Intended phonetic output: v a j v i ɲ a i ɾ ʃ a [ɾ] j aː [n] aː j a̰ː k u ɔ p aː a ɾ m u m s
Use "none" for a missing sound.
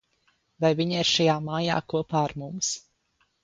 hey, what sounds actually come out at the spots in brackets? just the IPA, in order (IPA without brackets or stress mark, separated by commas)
none, m